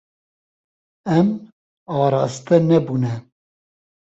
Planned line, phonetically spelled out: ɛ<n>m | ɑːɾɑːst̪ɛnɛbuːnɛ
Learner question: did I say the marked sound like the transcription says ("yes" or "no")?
no